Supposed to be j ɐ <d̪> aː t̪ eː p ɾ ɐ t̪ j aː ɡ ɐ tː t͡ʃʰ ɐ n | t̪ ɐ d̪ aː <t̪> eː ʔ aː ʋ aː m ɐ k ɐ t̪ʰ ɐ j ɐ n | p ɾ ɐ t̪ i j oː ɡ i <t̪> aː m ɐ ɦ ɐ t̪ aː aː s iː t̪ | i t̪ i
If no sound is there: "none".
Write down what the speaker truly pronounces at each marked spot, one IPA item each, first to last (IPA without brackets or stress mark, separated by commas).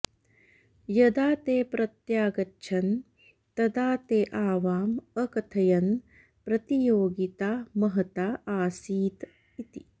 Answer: d̪, t̪, t̪